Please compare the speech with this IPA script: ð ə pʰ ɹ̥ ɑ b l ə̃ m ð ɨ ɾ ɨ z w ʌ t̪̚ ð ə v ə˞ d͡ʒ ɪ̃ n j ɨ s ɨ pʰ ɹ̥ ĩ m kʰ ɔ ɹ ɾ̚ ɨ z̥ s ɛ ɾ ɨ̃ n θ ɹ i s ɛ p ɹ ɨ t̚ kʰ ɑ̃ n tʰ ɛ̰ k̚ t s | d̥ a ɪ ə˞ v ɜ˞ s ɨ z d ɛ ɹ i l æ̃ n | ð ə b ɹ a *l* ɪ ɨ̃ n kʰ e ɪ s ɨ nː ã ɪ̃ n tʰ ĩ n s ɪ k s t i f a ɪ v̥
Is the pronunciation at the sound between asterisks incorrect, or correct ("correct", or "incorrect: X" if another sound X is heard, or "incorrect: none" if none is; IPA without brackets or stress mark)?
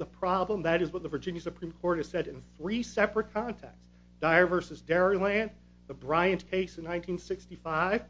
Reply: incorrect: none